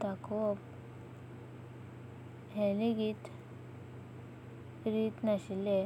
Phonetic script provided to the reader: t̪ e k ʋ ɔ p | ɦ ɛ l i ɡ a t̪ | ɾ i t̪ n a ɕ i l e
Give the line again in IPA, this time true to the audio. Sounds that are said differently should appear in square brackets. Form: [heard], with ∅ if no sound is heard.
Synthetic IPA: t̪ [a] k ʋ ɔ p | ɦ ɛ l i ɡ [i] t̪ | ɾ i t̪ n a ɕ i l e